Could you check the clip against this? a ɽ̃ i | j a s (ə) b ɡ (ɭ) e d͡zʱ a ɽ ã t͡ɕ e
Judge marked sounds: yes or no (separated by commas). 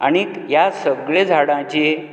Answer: yes, yes